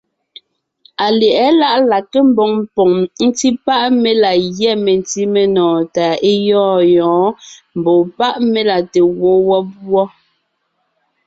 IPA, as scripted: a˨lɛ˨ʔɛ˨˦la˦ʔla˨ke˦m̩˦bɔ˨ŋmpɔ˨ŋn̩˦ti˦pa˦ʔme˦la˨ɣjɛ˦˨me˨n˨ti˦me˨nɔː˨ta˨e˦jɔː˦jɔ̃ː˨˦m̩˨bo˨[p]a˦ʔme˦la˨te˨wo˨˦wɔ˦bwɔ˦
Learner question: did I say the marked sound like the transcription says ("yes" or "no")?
yes